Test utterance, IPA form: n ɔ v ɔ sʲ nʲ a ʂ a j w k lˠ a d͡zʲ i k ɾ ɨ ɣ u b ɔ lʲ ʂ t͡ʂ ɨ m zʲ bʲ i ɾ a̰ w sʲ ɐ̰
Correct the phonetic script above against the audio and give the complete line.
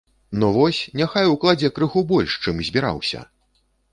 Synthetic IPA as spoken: n ɔ v ɔ sʲ nʲ a x a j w k lˠ a d͡zʲ ɛ k ɾ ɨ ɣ u b ɔ lʲ ʂ t͡ʂ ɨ m zʲ bʲ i ɾ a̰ w sʲ ɐ̰

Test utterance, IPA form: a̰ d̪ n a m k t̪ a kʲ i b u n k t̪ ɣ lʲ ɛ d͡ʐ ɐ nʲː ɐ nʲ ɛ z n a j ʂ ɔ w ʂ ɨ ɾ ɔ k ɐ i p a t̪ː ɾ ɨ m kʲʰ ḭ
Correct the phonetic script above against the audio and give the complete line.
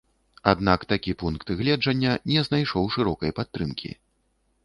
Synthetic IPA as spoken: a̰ d̪ n a k t̪ a kʲ i p u n k t̪ ɣ lʲ ɛ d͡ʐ ɐ nʲː ɐ nʲ ɛ z n a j ʂ ɔ w ʂ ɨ ɾ ɔ k ɐ j p a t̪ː ɾ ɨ m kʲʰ ḭ

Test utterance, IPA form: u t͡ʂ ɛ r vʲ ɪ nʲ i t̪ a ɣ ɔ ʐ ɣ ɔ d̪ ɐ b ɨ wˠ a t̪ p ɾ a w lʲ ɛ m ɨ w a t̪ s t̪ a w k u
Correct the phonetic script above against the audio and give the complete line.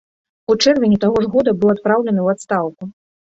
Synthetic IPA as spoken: u t͡ʂ ɛ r vʲ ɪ nʲ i t̪ a ɣ ɔ ʐ ɣ ɔ d̪ ɐ b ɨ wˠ a t̪ p ɾ a w lʲ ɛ n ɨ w a t̪ s t̪ a w k u

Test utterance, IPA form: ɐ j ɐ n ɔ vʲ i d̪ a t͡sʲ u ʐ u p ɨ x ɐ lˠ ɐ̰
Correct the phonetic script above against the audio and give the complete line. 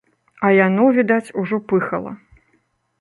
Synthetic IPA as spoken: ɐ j a n ɔ vʲ i d̪ a t͡sʲ u ʐ ɔ p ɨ x ɐ lˠ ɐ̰

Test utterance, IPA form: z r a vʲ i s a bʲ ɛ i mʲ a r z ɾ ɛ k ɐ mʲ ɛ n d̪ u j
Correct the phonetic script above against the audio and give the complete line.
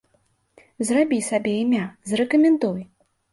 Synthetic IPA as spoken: z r a bʲ i s a bʲ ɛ i mʲ a z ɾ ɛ k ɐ mʲ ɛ n d̪ u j

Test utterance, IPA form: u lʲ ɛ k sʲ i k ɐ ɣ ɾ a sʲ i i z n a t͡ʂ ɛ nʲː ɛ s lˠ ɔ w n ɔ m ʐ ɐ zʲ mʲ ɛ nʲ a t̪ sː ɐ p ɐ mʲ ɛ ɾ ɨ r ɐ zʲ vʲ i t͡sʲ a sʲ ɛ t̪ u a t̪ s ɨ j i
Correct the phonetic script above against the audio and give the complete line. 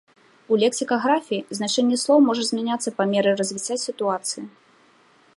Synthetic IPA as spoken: u lʲ ɛ k sʲ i k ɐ ɣ ɾ a fʲ i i z n a t͡ʂ ɛ nʲː ɛ s lˠ ɔ w m ɔ ʐ ɐ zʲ mʲ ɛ nʲ a t̪ sː ɐ p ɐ mʲ ɛ ɾ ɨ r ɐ zʲ vʲ i t͡sʲ a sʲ i t̪ u a t̪ s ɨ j i

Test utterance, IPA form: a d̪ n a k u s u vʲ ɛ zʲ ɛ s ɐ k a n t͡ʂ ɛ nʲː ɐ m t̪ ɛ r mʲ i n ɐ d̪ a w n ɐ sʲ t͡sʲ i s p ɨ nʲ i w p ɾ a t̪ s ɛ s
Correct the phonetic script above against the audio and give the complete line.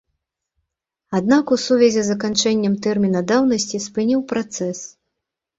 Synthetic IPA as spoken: a d̪ n a k u s u vʲ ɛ zʲ ɛ z ɐ k a n t͡ʂ ɛ nʲː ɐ m t̪ ɛ r mʲ i n ɐ d̪ a w n ɐ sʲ t͡sʲ i s p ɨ nʲ i w p ɾ a t̪ s ɛ s

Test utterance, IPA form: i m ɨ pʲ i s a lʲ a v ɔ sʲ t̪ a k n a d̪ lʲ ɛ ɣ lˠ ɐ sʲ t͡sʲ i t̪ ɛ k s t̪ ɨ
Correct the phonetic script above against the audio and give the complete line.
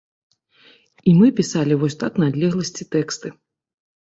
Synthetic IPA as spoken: i m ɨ pʲ i s a lʲ i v ɔ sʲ t̪ a k n a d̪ lʲ ɛ ɣ lˠ ɐ sʲ t͡sʲ i t̪ ɛ k s t̪ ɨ

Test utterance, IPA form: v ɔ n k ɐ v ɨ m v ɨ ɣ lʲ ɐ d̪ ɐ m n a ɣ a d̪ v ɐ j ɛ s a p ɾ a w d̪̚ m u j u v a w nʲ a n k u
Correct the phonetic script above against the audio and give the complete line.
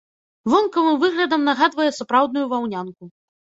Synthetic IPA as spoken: v ɔ n k ɐ v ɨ m v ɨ ɣ lʲ ɐ d̪ ɐ m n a ɣ a d̪ v ɐ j ɛ s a p ɾ a w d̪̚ n u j u v a w nʲ a n k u

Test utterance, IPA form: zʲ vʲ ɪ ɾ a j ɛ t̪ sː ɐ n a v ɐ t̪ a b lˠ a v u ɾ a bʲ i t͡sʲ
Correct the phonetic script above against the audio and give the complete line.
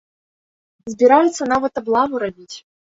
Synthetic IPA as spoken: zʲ bʲ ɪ ɾ a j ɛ t̪ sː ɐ n a v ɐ t̪ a b lˠ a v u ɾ a bʲ i t͡sʲ

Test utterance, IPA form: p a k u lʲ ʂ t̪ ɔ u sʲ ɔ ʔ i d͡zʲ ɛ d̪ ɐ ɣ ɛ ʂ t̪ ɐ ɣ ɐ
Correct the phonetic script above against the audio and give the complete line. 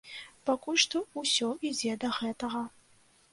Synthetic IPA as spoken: p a k u lʲ ʂ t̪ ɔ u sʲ ɔ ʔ i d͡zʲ ɛ d̪ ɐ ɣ ɛ t̪ ɐ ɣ ɐ

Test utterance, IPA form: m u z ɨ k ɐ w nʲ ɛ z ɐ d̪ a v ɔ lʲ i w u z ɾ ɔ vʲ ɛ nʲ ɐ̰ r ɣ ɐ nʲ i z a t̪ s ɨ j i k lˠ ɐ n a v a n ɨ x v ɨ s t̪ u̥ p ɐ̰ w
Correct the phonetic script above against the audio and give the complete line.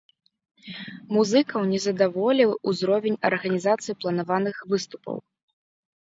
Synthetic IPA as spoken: m u z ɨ k ɐ w nʲ ɛ z ɐ d̪ a v ɔ lʲ i w u z ɾ ɔ vʲ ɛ nʲ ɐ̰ r ɣ ɐ nʲ i z a t̪ s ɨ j i p lˠ ɐ n a v a n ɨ x v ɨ s t̪ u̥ p ɐ̰ w

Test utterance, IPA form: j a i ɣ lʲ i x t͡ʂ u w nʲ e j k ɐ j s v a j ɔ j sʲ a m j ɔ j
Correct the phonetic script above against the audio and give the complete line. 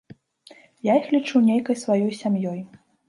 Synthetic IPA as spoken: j a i x lʲ i t͡ʂ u w nʲ e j k ɐ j s v a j ɔ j sʲ a m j ɔ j

